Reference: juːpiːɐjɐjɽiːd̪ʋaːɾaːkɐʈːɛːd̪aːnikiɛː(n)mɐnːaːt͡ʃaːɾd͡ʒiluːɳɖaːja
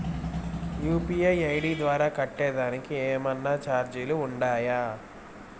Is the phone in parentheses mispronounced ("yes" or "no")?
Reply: yes